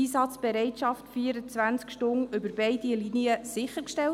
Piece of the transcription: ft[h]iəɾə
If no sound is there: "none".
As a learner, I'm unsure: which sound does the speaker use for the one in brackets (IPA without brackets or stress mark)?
f